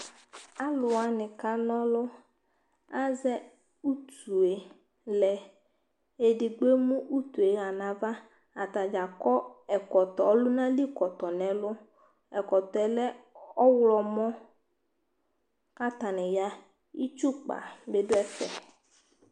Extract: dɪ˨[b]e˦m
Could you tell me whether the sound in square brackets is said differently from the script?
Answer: yes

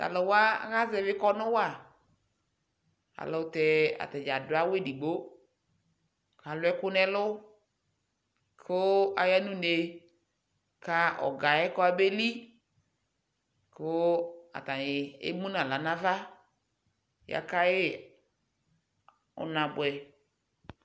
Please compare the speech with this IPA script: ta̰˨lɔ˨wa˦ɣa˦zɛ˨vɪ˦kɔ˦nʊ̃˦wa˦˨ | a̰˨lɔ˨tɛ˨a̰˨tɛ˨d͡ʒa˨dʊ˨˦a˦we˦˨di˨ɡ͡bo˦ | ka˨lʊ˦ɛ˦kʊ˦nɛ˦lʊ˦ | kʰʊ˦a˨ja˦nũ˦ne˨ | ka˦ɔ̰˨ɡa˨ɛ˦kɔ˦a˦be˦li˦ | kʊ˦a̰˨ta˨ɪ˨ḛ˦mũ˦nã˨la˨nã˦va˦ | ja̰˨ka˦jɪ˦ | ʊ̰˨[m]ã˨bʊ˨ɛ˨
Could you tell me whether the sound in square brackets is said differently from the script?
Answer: yes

